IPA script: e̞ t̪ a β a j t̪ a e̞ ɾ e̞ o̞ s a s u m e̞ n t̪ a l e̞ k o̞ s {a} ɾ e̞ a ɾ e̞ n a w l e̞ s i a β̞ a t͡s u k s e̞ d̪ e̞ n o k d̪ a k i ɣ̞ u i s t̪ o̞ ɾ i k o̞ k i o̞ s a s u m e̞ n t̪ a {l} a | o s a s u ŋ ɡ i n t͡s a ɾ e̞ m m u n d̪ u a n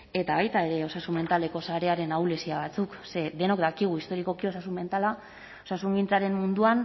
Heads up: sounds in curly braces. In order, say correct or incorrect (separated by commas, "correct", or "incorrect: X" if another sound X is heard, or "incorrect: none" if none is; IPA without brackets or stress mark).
correct, correct